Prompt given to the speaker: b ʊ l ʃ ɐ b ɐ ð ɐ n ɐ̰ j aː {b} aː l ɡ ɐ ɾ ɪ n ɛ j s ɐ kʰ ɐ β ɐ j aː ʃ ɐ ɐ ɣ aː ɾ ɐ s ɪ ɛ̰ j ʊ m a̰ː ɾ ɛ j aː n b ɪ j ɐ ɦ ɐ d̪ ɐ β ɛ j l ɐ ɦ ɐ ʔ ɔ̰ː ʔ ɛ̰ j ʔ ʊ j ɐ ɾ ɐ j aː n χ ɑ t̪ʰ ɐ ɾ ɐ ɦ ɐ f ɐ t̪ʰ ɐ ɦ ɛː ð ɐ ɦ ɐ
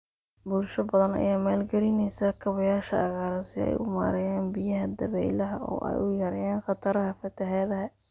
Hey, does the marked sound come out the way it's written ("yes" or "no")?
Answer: no